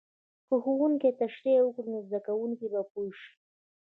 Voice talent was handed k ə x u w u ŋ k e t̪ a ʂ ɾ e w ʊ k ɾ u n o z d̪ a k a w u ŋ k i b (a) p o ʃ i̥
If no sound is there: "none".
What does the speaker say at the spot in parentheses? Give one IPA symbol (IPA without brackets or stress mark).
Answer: a